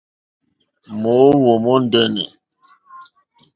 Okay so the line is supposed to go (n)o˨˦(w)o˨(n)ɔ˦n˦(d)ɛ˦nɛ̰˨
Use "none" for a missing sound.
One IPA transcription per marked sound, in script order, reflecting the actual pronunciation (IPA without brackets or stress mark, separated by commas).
m, w, m, d